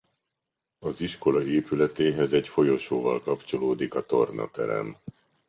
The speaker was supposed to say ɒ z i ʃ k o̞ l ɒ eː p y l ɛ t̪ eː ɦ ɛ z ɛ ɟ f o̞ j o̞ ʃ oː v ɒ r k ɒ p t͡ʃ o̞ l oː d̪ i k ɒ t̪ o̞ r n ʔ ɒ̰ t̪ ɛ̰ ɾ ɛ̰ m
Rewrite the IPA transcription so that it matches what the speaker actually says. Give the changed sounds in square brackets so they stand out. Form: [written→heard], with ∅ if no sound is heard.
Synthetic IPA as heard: ɒ z i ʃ k o̞ l ɒ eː p y l ɛ t̪ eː ɦ ɛ z ɛ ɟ f o̞ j o̞ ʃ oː v ɒ [r→l] k ɒ p t͡ʃ o̞ l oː d̪ i k ɒ t̪ o̞ r n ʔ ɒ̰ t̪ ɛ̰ ɾ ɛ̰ m

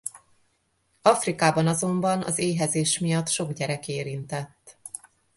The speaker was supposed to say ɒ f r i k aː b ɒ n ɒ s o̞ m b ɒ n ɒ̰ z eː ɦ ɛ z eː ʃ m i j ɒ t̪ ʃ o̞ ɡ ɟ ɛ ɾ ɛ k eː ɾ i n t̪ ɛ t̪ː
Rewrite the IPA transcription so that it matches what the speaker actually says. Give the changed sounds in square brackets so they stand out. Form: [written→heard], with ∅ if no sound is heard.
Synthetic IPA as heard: ɒ f r i k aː b ɒ n ɒ [s→z] o̞ m b ɒ n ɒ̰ z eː ɦ ɛ z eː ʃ m i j ɒ t̪ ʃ o̞ ɡ ɟ ɛ ɾ ɛ k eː ɾ i n t̪ ɛ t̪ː

